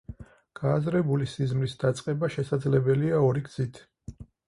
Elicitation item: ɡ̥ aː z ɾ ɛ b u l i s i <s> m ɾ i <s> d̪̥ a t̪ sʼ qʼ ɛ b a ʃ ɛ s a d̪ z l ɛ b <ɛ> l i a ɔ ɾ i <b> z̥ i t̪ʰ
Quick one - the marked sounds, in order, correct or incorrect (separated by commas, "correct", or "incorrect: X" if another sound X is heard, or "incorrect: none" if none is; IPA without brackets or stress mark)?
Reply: incorrect: z, correct, correct, incorrect: ɡ